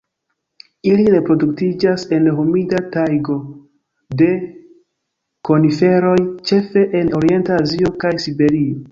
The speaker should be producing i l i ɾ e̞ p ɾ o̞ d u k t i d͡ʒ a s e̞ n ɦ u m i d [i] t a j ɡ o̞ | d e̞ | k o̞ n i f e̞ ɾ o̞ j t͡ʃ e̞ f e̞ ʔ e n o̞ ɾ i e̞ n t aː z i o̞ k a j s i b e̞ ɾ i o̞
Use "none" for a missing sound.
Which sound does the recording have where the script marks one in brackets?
a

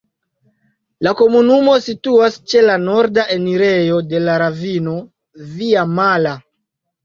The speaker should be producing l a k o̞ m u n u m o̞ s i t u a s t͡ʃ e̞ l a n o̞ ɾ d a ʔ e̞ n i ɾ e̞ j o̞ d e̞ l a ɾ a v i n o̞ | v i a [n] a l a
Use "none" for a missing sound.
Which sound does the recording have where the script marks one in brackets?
m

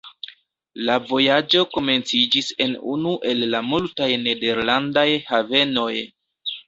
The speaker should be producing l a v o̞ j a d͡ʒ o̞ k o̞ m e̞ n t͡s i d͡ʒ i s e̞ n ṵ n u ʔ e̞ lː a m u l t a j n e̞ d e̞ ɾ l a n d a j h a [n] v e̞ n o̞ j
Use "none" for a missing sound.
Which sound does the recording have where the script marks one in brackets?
none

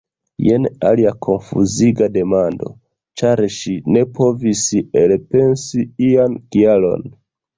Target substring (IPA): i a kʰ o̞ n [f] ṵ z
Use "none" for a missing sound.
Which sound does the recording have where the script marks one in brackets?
f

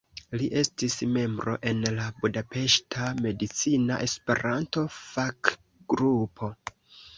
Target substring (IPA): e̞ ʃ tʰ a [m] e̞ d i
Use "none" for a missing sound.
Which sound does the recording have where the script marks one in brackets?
m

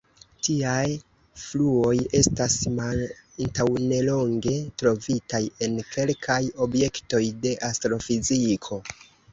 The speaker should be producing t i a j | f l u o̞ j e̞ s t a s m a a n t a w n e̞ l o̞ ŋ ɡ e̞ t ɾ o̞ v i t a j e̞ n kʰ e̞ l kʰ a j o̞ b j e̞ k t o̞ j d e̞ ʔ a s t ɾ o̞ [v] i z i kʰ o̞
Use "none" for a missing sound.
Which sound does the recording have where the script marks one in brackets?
f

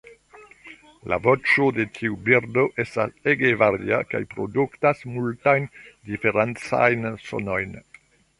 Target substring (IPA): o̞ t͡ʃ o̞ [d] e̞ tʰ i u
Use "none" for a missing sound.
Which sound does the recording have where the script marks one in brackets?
d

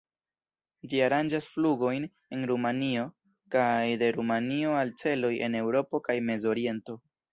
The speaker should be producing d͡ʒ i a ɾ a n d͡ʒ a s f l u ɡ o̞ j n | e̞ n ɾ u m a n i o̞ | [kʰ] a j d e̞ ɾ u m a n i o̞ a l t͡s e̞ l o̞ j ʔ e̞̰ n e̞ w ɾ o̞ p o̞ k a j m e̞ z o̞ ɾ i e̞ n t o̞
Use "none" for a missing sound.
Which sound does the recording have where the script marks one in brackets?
k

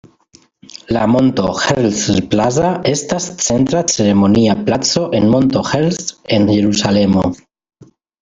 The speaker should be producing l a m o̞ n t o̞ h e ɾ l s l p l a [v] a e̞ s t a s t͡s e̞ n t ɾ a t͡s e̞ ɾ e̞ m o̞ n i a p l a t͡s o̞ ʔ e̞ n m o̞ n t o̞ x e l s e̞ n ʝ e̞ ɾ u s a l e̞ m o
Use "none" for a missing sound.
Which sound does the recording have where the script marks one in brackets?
z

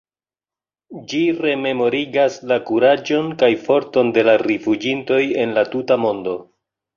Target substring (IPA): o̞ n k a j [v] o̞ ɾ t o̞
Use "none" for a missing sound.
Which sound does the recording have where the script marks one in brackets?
f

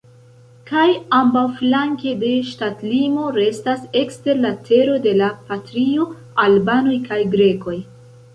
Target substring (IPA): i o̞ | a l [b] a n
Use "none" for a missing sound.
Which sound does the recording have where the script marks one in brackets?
b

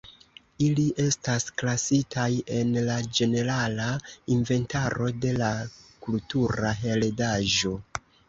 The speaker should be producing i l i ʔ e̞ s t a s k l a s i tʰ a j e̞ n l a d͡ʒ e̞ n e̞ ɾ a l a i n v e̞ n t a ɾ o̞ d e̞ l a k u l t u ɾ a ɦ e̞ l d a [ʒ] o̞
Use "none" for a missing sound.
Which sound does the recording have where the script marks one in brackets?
ʒ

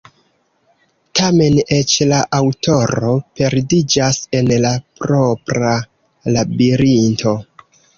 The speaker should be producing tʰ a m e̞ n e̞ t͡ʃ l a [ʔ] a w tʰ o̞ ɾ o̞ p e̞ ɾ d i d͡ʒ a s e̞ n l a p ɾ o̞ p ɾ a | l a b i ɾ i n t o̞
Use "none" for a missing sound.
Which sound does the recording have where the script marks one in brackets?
ʔ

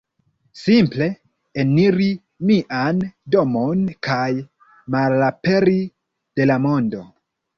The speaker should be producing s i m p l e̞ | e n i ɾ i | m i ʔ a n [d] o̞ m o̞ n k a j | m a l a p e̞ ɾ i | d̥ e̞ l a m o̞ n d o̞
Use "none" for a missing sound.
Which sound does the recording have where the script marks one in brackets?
d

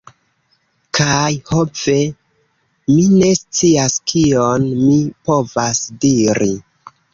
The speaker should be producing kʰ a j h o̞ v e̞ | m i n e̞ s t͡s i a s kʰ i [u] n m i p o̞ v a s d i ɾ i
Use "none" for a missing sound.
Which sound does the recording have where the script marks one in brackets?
o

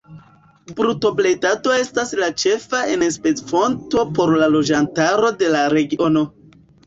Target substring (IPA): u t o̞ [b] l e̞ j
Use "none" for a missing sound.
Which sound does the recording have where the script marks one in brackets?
b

